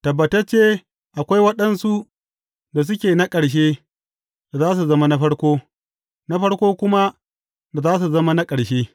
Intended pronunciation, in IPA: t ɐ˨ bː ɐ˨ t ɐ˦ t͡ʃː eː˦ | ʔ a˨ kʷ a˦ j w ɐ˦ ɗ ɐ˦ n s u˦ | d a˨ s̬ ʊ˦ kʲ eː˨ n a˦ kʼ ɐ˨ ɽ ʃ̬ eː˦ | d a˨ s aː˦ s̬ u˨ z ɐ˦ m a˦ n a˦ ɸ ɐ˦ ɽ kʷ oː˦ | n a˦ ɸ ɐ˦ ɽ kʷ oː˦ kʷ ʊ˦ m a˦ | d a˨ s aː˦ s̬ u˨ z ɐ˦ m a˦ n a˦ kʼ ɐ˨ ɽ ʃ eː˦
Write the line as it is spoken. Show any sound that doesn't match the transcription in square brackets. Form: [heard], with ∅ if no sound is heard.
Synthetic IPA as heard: t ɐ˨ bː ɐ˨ t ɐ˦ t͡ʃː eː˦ | ʔ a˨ kʷ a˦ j w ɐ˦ ɗ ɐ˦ n s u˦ | d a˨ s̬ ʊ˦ kʲ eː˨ n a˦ kʼ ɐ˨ ɽ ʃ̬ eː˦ | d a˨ [z] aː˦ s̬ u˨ z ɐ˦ m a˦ n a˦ ɸ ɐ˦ ɽ kʷ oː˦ | n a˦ ɸ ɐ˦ ɽ kʷ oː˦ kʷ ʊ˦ m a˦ | d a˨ [z] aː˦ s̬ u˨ z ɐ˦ m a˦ n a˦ kʼ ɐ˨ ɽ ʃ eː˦